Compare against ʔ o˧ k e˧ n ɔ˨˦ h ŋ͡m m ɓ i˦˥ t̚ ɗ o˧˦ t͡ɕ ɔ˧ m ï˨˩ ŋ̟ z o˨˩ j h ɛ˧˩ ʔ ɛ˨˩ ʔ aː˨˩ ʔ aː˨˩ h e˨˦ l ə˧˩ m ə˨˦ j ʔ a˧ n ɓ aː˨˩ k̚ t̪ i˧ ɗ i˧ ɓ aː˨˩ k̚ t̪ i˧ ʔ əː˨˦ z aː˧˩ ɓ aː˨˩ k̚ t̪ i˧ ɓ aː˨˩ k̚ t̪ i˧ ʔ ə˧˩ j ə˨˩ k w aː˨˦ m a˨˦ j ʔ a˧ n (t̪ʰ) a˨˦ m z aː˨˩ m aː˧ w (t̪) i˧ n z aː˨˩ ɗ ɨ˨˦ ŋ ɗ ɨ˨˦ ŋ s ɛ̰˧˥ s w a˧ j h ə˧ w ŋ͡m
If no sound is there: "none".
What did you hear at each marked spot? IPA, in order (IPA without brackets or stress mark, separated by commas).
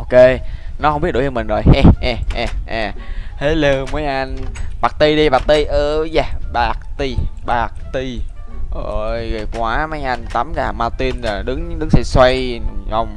t̪, t̪